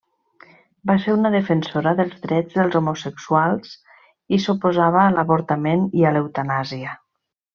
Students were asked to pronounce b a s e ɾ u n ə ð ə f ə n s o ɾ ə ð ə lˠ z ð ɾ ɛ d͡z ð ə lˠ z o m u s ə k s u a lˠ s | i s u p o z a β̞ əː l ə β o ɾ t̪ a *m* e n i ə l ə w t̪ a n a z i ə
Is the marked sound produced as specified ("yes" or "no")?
yes